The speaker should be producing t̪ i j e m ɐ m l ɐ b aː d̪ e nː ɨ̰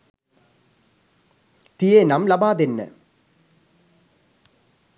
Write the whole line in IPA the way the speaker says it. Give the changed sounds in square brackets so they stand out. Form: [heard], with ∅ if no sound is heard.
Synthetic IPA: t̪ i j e [n] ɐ m l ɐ b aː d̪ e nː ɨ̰